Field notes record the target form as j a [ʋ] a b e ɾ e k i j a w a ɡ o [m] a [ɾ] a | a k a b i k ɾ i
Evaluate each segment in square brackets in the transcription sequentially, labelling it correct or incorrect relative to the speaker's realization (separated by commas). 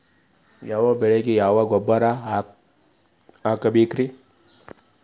incorrect, incorrect, correct